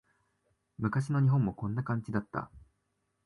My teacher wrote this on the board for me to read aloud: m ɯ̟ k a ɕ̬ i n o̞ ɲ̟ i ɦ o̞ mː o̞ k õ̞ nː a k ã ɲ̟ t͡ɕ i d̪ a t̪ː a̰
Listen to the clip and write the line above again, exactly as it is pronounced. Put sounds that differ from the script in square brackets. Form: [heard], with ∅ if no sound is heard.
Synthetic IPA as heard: m ɯ̟ k a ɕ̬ i n o̞ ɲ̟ i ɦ [õ̞] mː o̞ k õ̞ nː a k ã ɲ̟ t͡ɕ i d̪ a t̪ː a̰

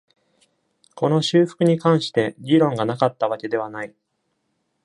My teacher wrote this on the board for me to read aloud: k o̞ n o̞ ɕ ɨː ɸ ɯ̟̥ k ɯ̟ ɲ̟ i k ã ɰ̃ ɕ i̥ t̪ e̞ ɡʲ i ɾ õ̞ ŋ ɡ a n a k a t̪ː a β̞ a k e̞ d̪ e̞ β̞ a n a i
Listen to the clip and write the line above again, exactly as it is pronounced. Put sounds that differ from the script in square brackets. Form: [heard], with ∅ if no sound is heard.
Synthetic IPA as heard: k o̞ n o̞ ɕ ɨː ɸ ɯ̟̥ k ɯ̟ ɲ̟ i k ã ɰ̃ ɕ i̥ t̪ e̞ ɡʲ i ɾ õ̞ ŋ ɡ a n a k a t̪ː a β̞ a k e̞ d̪ e̞ β̞ a n a i

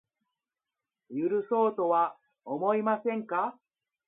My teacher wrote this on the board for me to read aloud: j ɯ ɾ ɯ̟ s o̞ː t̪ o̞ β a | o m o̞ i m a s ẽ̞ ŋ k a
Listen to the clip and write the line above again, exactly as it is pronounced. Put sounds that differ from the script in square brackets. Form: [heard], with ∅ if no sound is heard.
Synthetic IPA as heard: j ɯ ɾ ɯ̟ s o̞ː t̪ o̞ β a | o m o̞ i m a s ẽ̞ ŋ k a

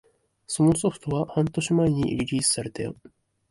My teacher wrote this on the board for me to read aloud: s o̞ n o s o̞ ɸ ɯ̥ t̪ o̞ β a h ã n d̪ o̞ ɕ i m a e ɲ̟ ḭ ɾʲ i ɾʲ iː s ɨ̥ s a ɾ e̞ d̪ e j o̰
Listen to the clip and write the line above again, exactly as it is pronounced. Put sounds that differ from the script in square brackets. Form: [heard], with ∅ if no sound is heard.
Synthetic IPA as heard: s o̞ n o s o̞ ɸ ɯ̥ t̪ o̞ β a h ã n [t̪] o̞ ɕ i m a e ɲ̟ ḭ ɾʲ i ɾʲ iː s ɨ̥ s a ɾ e̞ [t̪] e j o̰

